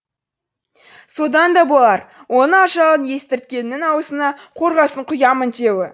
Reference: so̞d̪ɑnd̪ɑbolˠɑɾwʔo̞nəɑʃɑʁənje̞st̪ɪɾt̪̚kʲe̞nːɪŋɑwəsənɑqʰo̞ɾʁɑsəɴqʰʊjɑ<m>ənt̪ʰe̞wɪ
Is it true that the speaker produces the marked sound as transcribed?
yes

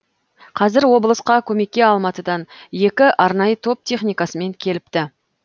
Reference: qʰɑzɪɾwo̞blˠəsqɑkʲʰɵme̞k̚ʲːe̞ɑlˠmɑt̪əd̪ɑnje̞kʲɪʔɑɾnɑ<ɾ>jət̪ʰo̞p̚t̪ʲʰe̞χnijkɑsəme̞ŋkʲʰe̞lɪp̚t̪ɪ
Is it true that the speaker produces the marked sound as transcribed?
no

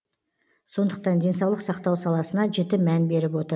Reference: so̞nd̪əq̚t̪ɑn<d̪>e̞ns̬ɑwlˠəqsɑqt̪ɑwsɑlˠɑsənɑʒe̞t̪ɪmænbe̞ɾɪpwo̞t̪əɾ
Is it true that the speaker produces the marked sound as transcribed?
yes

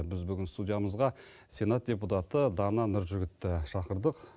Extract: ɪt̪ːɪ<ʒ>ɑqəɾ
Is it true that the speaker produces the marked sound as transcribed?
no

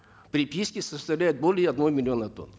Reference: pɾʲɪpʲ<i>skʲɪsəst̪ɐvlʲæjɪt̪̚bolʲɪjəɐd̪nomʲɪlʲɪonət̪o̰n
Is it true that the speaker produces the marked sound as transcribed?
yes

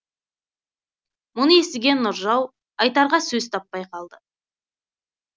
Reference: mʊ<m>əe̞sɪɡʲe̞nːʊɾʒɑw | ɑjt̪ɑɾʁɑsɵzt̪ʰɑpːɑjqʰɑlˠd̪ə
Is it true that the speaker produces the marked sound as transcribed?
no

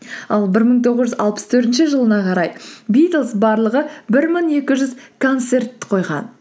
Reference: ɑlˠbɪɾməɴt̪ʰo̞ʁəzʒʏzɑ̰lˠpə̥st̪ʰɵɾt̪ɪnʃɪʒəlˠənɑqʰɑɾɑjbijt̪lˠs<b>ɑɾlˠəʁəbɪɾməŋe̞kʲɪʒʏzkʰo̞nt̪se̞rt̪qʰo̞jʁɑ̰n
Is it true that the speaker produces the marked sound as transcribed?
yes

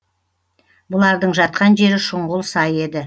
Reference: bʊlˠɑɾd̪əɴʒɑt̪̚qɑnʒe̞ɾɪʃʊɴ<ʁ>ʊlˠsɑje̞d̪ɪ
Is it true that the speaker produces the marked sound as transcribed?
yes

